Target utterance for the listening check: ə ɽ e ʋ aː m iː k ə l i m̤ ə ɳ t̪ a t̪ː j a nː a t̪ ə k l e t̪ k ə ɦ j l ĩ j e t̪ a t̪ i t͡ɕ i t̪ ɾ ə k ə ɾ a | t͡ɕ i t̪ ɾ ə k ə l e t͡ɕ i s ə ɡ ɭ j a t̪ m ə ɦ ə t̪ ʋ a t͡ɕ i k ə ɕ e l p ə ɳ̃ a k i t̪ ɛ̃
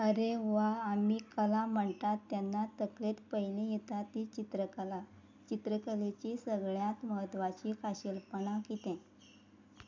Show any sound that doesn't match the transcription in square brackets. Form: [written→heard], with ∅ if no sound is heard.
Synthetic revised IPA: ə [ɽ→ɾ] e ʋ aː m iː k ə l [i→a] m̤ ə ɳ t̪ a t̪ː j a nː a t̪ ə k l e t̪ [k→p] ə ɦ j l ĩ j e t̪ a t̪ i t͡ɕ i t̪ ɾ ə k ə [ɾ→l] a | t͡ɕ i t̪ ɾ ə k ə l e t͡ɕ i s ə ɡ ɭ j a t̪ m ə ɦ ə t̪ ʋ a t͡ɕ i k [ə→a] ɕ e l p ə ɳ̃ a k i t̪ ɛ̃